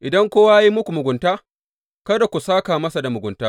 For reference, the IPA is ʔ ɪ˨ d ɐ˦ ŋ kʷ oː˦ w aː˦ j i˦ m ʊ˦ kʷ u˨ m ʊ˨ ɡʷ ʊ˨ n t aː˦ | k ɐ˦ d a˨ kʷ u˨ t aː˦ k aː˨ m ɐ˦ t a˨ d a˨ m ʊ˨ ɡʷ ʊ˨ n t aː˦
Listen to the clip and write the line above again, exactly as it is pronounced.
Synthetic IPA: ʔ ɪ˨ d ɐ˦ ŋ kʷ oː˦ w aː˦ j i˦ m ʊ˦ kʷ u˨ m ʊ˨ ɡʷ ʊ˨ n t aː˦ | k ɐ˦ d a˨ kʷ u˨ s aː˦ k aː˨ m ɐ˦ s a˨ d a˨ m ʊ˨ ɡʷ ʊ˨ n t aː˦